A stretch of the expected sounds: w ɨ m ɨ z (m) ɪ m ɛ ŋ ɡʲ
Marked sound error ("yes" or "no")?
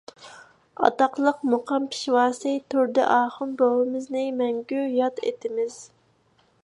yes